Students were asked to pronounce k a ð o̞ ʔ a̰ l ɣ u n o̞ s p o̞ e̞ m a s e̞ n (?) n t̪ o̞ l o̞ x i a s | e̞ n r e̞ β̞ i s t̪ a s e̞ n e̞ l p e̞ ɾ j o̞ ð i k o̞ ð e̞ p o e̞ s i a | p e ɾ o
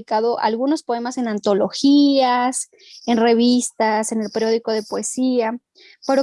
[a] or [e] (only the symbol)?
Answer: a